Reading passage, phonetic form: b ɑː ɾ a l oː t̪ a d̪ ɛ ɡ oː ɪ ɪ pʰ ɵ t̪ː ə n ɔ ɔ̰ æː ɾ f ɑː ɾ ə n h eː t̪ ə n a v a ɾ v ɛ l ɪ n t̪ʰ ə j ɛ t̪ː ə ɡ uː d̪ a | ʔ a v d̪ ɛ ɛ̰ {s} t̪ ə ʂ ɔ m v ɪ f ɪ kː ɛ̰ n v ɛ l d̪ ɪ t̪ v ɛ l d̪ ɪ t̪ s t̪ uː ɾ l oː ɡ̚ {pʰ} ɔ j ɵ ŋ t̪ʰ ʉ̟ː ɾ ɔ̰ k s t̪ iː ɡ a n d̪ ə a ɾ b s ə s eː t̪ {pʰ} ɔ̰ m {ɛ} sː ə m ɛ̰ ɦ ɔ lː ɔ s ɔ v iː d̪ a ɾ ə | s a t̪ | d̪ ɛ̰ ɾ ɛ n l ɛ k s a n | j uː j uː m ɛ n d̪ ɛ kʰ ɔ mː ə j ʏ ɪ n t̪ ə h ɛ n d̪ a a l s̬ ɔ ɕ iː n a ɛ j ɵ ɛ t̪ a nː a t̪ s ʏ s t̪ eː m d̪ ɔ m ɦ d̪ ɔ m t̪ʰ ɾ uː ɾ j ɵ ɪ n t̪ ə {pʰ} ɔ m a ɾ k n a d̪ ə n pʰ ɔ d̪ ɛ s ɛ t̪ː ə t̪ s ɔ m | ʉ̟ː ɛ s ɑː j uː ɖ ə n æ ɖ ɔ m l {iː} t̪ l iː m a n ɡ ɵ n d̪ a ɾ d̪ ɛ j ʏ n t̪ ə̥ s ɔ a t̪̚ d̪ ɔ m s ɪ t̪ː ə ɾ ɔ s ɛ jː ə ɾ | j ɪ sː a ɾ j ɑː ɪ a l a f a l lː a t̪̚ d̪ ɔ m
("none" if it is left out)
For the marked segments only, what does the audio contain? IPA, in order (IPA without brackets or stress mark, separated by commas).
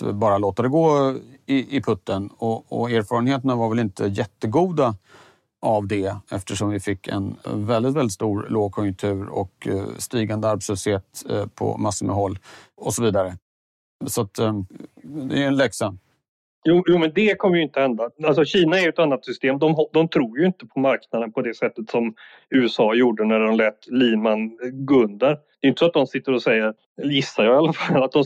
f, kʰ, pʰ, a, pʰ, ɛː